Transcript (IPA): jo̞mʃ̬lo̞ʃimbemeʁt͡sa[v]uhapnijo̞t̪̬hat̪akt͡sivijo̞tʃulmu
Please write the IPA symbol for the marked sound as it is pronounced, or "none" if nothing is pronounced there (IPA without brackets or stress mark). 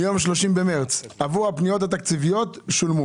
v